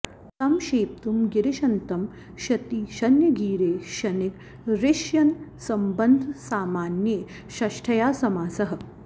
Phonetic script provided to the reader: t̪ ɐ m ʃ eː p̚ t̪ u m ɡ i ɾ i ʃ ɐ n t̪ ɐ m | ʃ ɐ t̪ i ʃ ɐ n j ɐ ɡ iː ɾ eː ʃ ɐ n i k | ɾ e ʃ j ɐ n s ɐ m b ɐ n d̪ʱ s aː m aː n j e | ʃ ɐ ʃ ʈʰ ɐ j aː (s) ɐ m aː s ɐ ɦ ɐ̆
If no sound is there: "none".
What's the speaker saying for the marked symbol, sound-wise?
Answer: s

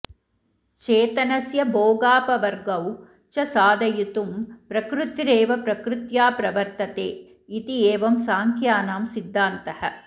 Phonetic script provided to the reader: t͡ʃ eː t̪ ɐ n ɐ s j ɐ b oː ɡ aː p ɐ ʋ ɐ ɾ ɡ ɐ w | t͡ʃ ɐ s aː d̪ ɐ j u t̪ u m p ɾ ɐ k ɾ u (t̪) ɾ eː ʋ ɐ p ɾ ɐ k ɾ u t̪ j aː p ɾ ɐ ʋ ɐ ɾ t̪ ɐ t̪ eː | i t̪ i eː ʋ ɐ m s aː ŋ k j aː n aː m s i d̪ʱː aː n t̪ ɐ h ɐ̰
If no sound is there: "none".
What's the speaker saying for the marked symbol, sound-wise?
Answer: t̪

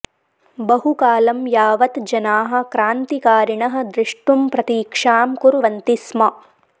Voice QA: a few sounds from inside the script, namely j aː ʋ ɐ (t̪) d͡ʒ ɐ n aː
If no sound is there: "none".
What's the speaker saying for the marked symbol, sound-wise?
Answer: t̪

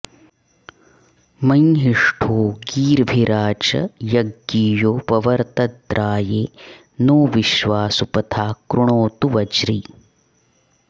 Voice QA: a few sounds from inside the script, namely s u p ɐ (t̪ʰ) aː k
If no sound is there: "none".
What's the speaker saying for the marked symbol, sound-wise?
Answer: t̪ʰ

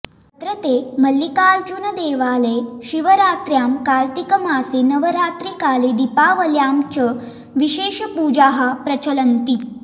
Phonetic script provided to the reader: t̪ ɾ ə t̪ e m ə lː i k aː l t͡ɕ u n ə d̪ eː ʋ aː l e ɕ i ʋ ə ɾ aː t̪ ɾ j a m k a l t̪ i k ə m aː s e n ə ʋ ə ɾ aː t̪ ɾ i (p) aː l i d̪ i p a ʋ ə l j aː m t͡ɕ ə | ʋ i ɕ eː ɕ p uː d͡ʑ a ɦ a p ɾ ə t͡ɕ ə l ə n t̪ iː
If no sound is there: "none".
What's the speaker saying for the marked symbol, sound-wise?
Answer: k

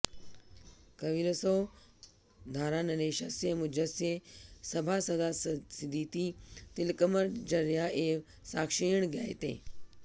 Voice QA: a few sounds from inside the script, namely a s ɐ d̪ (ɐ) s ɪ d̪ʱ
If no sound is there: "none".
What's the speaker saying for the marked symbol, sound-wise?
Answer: a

